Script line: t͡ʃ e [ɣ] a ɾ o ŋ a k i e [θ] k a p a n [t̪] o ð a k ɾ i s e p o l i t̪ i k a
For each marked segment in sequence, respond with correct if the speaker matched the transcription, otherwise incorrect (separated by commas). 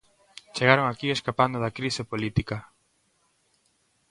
correct, incorrect, incorrect